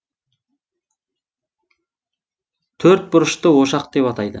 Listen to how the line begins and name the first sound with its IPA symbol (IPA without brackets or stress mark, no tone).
t̪ʰ